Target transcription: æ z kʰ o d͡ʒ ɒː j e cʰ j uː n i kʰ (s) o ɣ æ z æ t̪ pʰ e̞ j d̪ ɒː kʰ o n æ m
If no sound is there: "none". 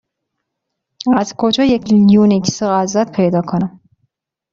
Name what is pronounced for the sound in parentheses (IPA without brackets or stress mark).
s